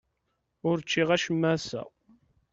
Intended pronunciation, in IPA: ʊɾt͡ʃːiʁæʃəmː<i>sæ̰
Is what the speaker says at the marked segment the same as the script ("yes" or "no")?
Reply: no